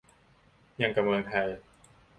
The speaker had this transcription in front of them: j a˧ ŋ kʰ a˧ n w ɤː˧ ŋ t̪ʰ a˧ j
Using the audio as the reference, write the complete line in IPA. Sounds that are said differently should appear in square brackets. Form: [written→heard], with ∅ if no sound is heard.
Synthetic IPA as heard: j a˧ ŋ [kʰ→k] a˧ [n→m] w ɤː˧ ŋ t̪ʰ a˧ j